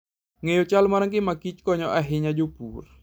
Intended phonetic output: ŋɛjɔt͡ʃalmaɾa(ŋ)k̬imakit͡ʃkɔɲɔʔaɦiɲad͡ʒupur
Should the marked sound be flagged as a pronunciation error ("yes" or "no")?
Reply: no